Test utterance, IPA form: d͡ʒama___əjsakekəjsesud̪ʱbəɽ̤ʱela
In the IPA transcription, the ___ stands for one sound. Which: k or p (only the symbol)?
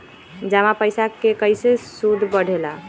p